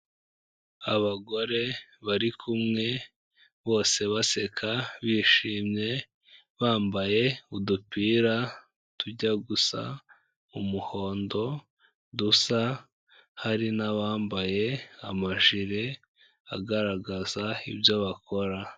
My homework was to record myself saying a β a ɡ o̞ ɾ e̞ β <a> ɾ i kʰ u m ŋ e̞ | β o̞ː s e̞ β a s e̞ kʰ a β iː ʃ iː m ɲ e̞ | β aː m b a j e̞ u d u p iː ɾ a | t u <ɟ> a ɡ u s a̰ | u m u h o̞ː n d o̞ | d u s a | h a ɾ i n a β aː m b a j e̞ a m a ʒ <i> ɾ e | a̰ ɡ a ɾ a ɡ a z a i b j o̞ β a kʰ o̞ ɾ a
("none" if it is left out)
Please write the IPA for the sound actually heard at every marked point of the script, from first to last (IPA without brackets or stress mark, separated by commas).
a, ɟ, i